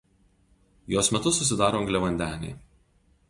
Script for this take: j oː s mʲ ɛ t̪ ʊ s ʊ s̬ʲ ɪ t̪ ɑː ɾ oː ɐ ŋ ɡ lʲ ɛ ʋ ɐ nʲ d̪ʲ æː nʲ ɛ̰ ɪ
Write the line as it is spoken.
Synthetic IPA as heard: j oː s mʲ ɛ t̪ ʊ s ʊ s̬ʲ ɪ d̪ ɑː ɾ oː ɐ ŋ ɡ lʲ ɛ ʋ ɐ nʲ d̪ʲ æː nʲ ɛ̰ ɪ